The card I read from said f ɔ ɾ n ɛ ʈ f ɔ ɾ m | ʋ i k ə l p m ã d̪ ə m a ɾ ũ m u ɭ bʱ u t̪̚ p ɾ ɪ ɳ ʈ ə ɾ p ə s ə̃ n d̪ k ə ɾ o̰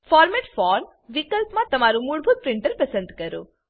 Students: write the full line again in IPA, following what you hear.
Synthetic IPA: f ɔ ɾ m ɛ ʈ f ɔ ɾ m | ʋ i k ə l p m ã t̪ ə m a ɾ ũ m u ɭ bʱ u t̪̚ p ɾ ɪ ɳ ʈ ə ɾ p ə s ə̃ n d̪ k ə ɾ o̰

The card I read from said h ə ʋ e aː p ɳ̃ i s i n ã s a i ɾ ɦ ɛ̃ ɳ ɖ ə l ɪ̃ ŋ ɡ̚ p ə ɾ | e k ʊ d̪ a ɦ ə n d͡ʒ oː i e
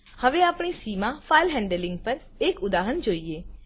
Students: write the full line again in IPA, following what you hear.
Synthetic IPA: h ə ʋ e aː p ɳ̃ i s i m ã f a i l ɦ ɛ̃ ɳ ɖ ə l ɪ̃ ŋ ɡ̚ p ə ɾ | e k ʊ d̪ a ɦ ə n d͡ʒ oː i e

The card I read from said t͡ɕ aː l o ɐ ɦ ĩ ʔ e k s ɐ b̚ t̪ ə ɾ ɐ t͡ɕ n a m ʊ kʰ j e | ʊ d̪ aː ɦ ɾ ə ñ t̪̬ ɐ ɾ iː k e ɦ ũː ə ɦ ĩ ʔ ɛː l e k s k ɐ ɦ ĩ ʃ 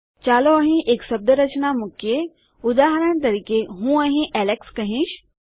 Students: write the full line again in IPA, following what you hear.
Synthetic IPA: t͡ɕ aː l o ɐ ɦ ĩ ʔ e k s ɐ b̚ d̪ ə ɾ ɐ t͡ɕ n a m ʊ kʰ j e | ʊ d̪ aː ɦ ɾ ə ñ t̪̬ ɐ ɾ iː k e ɦ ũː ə ɦ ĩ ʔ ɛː l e k s k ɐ ɦ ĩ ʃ

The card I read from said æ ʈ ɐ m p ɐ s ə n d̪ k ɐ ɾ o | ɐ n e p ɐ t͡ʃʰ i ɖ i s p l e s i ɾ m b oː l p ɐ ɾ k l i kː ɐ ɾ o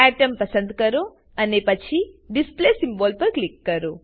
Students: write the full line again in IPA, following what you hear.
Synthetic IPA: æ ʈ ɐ m p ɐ s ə n d̪ k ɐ ɾ o | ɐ n e p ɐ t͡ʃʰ i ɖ i s p l e s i m b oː l p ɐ ɾ k l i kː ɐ ɾ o

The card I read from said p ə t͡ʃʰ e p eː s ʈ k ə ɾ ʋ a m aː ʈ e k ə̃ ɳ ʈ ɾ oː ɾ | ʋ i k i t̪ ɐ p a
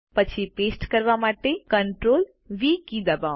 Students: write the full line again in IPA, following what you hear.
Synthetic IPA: p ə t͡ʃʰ i p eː s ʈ k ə ɾ ʋ a m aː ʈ e k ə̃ ɳ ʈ ɾ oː l | ʋ i k i d̪ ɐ b a

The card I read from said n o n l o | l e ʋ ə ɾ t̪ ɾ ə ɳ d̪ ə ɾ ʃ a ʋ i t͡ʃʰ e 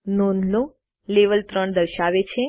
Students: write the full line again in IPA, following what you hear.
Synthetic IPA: n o n l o | l e ʋ ə l t̪ ɾ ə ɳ d̪ ə ɾ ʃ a ʋ e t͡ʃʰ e

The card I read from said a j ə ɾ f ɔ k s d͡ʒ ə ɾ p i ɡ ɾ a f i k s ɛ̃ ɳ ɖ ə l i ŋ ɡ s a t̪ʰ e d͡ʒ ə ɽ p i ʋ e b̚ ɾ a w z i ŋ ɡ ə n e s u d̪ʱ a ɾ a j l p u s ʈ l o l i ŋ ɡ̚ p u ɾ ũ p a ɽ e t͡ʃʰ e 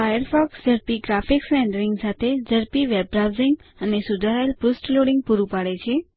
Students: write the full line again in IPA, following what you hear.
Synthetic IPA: a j ə ɾ f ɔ k s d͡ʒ ə ɾ p i ɡ ɾ a f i k s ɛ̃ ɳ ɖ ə ɾ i ŋ ɡ s a t̪ʰ e d͡ʒ ə ɾ p i ʋ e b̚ ɾ a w z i ŋ ɡ ə n e s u d̪ʱ a ɾ a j l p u s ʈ l o ɽ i ŋ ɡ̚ p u ɾ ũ p a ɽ e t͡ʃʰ e

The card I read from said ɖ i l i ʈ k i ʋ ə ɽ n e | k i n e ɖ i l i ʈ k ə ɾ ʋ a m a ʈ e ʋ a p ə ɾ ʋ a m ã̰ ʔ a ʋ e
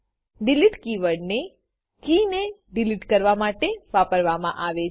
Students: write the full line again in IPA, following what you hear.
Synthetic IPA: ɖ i l i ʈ k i ʋ ə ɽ n e | k i n e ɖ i l i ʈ k ə ɾ ʋ a m a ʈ e ʋ a p ə ɾ ʋ a m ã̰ ʔ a ʋ e

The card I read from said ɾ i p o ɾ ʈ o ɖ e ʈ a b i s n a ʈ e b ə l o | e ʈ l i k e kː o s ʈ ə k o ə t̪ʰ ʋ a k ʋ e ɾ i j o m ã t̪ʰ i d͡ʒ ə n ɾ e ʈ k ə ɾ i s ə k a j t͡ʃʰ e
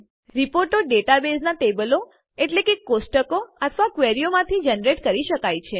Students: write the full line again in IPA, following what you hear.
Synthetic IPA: ɾ i p o ɾ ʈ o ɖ e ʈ a b e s n a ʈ e b ə l o | e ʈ l e k e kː o s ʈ ə k o ə t̪ʰ ʋ a k ʋ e ɾ i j o m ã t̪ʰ i d͡ʒ ə n ɾ e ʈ k ə ɾ i ʃ ə k a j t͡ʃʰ e

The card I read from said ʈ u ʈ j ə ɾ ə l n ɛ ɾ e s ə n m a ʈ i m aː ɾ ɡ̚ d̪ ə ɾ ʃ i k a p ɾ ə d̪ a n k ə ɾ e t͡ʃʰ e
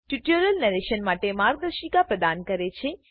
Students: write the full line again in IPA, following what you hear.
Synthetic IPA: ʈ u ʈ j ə ɾ ə l n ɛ ɾ e ʃ ə n m a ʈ e m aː ɾ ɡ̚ d̪ ə ɾ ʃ i k a p ɾ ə d̪ a n k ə ɾ e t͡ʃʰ e

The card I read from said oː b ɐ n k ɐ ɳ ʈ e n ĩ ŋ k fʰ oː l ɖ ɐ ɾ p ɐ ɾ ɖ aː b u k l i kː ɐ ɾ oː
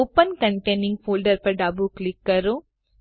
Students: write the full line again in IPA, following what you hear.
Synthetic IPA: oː p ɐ n k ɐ ɳ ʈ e n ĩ ŋ ɡ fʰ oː l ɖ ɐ ɾ p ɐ ɾ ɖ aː b u k l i kː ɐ ɾ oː

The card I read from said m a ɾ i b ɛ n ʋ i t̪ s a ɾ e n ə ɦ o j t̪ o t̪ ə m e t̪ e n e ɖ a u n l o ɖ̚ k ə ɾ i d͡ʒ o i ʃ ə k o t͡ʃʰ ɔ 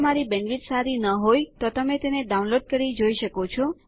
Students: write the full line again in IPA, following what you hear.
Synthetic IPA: m a ɾ i b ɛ n ʋ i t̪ s a ɾ i n ə ɦ o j t̪ o t̪ ə m e t̪ e n e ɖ a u n l o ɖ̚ k ə ɾ i d͡ʒ o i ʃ ə k o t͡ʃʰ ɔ

